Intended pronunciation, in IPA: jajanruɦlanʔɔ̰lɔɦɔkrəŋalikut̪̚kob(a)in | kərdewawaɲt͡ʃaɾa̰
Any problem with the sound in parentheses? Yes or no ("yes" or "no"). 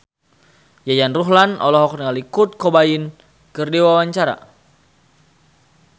no